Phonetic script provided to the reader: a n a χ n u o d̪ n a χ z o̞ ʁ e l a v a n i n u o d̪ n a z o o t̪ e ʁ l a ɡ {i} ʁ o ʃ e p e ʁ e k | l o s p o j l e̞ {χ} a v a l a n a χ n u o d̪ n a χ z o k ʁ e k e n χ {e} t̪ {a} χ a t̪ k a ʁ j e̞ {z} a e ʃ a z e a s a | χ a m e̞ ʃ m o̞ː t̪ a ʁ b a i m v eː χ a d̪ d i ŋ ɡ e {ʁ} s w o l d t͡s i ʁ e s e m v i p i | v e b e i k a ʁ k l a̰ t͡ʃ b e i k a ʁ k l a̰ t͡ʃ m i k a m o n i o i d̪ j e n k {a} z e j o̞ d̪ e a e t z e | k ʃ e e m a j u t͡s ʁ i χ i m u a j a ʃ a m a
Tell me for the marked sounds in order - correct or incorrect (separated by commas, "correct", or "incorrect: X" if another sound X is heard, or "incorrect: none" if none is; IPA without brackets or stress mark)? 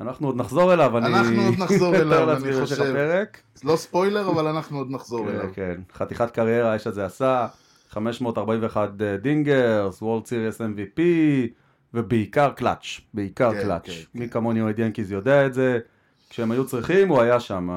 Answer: correct, incorrect: ʁ, incorrect: a, incorrect: i, incorrect: ʁ, correct, incorrect: i